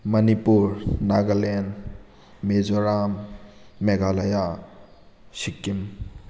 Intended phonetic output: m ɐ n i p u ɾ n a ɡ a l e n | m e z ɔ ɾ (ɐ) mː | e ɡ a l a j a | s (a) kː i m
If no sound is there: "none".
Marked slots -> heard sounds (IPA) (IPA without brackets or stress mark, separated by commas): a, i